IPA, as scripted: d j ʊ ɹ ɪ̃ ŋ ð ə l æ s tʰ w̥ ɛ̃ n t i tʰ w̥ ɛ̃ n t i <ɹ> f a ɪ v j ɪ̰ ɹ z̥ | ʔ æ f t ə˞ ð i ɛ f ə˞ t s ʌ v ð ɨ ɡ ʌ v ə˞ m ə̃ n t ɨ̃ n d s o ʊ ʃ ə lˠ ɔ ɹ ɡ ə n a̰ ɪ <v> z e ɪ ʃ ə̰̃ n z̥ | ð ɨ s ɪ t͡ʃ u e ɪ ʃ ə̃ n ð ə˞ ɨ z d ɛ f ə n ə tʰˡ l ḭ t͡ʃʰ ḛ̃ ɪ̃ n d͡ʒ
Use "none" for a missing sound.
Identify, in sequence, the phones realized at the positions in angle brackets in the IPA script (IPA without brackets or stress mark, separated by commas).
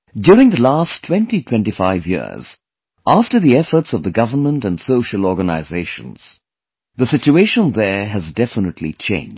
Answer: none, none